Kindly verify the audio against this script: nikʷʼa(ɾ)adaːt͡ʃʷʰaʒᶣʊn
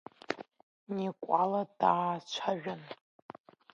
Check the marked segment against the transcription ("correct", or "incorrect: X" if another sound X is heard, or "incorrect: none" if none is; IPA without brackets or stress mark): incorrect: l